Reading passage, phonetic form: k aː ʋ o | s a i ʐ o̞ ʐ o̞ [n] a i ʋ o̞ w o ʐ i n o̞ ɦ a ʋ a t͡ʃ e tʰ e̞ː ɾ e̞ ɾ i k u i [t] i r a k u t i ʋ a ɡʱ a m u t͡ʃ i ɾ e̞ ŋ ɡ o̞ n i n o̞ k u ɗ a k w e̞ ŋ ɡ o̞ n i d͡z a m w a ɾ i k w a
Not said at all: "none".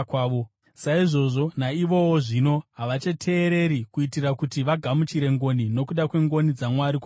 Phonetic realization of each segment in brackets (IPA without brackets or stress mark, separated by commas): n, t